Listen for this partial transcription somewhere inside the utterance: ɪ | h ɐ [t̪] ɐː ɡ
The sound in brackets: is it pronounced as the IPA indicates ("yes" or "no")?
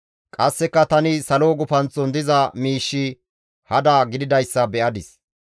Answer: no